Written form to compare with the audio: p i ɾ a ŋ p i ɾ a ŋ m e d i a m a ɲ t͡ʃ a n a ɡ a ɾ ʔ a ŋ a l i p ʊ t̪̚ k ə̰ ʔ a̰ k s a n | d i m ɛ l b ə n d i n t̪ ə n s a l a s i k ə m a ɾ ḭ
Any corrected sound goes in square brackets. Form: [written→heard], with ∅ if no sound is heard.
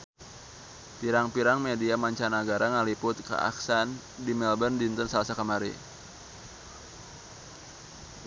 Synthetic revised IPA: p i ɾ a ŋ p i ɾ a ŋ m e d i a m a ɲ t͡ʃ a n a ɡ a ɾ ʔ a ŋ a l i p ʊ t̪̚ k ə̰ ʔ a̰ k s a n | d i m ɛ l b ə n d i n t̪ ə n s a l a s [i→a] k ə m a ɾ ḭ

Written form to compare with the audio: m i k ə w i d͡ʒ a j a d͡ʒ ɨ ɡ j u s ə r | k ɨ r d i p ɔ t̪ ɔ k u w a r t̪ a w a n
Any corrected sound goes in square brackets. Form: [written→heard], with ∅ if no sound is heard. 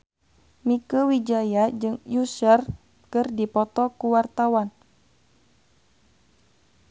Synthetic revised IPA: m i k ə w i d͡ʒ a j a d͡ʒ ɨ [ɡ→ŋ] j u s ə r | k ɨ r d i p ɔ t̪ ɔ k u w a r t̪ a w a n

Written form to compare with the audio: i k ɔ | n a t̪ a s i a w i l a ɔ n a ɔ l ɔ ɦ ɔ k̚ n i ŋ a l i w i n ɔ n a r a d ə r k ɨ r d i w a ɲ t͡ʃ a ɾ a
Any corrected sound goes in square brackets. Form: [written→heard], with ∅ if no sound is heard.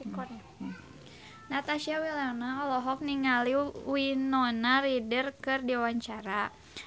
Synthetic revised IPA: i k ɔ | n a t̪ a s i a w i l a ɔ n a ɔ l ɔ ɦ ɔ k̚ n i ŋ a l i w i n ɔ n a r [a→i] d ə r k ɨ r d i w a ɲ t͡ʃ a ɾ a

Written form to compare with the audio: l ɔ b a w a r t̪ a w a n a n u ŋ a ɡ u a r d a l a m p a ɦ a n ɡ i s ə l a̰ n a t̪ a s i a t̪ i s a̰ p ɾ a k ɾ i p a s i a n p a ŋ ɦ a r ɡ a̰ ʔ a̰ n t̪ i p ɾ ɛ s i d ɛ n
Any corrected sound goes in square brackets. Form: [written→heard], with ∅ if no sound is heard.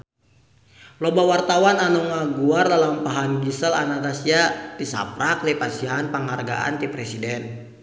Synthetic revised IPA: l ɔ b a w a r t̪ a w a n a n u ŋ a ɡ u a r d a l a m p a ɦ a n ɡ i s ə l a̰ n a t̪ a s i a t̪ i s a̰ p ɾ a k [ɾ→l] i p a s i a n p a ŋ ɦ a r ɡ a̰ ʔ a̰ n t̪ i p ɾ ɛ s i d ɛ n

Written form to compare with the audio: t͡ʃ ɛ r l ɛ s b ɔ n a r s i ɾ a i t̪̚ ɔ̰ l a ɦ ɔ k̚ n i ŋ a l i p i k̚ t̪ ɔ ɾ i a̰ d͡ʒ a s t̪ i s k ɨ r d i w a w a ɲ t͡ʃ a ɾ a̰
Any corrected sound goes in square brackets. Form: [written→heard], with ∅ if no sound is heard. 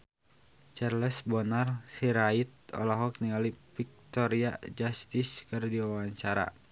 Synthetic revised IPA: t͡ʃ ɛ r l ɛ s b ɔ n a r s i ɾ a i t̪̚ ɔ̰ l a ɦ ɔ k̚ n i ŋ a l i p i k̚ t̪ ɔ ɾ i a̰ d͡ʒ a s t̪ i s k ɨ r d i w a w a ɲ t͡ʃ a ɾ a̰

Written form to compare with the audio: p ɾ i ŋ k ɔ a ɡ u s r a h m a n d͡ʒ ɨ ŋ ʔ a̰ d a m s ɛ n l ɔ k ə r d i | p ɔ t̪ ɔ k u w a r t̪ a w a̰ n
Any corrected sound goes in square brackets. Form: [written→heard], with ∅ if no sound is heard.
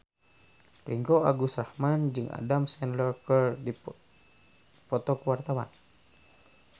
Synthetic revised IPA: p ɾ i ŋ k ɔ a ɡ u s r a h m a n d͡ʒ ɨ ŋ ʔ a̰ d a m s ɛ n l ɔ k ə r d i | p ɔ t̪ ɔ k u w a r t̪ a w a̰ n

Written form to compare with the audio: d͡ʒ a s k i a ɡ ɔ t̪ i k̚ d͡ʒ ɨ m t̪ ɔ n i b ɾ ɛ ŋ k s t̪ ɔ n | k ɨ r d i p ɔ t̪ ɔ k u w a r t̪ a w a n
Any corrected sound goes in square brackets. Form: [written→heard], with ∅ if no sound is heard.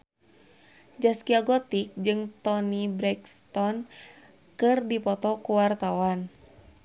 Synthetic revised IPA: d͡ʒ a s k i a ɡ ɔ t̪ i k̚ d͡ʒ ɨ [m→ŋ] t̪ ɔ n i b ɾ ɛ [ŋ→∅] k s t̪ ɔ n | k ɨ r d i p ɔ t̪ ɔ k u w a r t̪ a w a n

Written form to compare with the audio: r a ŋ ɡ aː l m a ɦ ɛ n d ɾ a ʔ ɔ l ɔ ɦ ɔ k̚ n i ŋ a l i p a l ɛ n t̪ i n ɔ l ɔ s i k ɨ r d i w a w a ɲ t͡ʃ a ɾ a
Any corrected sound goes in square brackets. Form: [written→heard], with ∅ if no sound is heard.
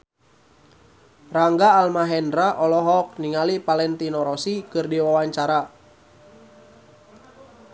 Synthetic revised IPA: r a ŋ ɡ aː l m a ɦ ɛ n d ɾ a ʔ ɔ l ɔ ɦ ɔ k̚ n i ŋ a l i p a l ɛ n t̪ i n ɔ [l→ɾ] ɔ s i k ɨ r d i w a w a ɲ t͡ʃ a ɾ a

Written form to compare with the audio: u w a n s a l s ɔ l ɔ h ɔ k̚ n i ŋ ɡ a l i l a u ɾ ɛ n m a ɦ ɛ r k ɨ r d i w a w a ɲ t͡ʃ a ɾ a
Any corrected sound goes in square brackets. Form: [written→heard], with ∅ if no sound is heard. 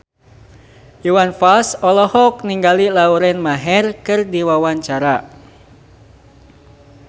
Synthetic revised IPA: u w a n [s→f] a l s ɔ l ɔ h ɔ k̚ n i ŋ ɡ a l i l a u ɾ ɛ n m a ɦ ɛ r k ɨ r d i w a w a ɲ t͡ʃ a ɾ a

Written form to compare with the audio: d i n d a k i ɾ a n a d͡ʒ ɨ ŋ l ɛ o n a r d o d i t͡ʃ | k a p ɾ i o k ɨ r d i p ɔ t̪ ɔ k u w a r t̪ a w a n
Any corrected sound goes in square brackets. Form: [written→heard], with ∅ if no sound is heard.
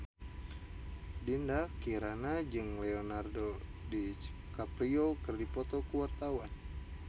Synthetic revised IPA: d i n d a k i ɾ a n a d͡ʒ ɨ ŋ l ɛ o n a r d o d i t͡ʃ | k a p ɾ i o k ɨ r d i p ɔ t̪ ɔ k u w a r t̪ a w a n

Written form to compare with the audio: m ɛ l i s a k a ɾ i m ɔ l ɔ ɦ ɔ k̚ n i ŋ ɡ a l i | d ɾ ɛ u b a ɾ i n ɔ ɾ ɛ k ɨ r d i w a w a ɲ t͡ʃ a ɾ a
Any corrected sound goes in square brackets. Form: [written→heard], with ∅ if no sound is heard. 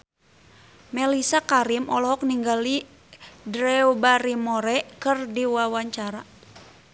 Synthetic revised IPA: m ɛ l i s a k a ɾ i m ɔ l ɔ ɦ ɔ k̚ n i ŋ ɡ a l i | d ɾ ɛ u b a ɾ i [n→m] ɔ ɾ ɛ k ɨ r d i w a w a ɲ t͡ʃ a ɾ a

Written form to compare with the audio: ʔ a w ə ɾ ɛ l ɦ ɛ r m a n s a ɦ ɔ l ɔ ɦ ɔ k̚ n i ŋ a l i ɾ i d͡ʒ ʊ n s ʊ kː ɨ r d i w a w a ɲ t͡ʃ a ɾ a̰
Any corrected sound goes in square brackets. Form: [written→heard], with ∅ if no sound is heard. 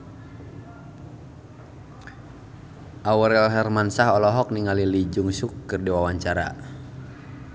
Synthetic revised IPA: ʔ a w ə ɾ ɛ l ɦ ɛ r m a n s a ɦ ɔ l ɔ ɦ ɔ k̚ n i ŋ a l i [ɾ→l] i d͡ʒ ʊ [n→ŋ] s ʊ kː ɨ r d i w a w a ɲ t͡ʃ a ɾ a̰

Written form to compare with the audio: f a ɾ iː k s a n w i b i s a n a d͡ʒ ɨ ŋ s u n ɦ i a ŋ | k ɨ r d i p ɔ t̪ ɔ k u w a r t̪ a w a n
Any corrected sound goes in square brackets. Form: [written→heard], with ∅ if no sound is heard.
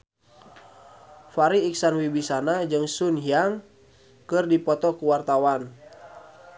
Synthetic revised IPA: f a ɾ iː k s a n w i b i s a n a d͡ʒ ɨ ŋ s u n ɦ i a ŋ | k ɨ r d i p ɔ t̪ ɔ k u w a r t̪ a w a n

